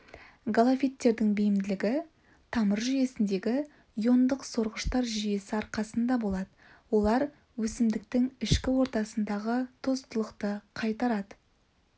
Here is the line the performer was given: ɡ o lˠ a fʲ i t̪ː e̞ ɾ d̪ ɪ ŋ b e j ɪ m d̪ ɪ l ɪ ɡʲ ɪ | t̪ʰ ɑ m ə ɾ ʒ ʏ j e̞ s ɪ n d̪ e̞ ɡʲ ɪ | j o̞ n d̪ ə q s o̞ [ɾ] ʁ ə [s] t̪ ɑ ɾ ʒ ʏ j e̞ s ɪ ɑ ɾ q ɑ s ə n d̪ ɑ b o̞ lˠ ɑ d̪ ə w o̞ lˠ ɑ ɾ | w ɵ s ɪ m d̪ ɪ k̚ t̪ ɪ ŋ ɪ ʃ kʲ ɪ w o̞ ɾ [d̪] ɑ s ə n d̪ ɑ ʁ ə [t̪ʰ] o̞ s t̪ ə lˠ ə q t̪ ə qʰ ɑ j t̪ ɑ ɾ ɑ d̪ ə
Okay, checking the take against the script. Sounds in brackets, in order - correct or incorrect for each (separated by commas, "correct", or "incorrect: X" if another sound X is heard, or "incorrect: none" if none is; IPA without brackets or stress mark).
correct, incorrect: ʃ, incorrect: t̪, correct